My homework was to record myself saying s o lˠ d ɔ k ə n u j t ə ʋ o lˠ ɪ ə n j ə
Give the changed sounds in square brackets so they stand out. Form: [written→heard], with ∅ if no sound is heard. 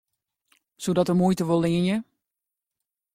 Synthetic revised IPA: s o [lˠ→∅] d ɔ [k→t] ə [n→m] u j t ə ʋ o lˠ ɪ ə n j ə